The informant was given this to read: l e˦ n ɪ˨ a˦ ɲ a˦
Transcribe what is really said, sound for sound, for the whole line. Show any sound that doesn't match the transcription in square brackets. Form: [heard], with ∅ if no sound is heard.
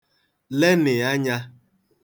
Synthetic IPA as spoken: l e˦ n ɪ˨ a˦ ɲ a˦